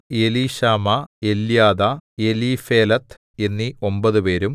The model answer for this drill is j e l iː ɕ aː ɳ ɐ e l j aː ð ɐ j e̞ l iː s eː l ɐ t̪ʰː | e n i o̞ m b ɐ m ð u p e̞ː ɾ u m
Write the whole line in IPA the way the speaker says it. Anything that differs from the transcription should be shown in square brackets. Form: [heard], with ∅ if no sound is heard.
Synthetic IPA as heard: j e l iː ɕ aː [m] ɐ e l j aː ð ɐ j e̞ l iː [f] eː l ɐ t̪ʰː | e [nː] i o̞ m b ɐ [∅] ð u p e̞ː ɾ u m

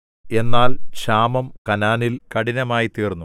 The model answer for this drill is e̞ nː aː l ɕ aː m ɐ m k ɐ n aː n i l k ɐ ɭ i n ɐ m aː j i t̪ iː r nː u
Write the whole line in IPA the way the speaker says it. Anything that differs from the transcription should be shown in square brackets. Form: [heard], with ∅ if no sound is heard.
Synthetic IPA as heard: e̞ nː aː l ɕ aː m ɐ m k ɐ n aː n i l k ɐ [ɽ] i n ɐ m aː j i t̪ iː r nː u

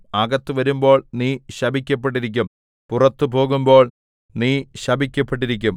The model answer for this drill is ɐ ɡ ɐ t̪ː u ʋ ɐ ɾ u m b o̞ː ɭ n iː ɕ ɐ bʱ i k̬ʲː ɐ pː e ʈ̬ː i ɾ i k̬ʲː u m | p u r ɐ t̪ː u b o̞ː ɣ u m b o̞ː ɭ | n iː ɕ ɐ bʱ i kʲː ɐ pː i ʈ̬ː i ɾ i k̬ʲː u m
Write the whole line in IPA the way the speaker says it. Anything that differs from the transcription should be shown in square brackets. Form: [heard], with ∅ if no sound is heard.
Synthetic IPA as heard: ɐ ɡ ɐ t̪ː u ʋ ɐ ɾ u m b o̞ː ɭ n iː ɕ ɐ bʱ i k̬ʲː ɐ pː e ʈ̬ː i ɾ i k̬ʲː u m | p u r ɐ t̪ː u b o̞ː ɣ u m b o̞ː ɭ | n iː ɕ ɐ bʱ i kʲː ɐ pː [e] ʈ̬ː i ɾ i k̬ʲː u m

